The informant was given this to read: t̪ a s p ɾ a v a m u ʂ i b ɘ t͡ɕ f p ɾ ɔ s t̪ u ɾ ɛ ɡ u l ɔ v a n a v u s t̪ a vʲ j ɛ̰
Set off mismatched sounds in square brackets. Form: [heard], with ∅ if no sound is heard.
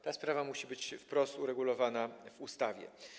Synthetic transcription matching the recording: t̪ a s p ɾ a v a m u [ɕ] i b ɘ t͡ɕ f p ɾ ɔ s t̪ u ɾ ɛ ɡ u l ɔ v a n a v u s t̪ a vʲ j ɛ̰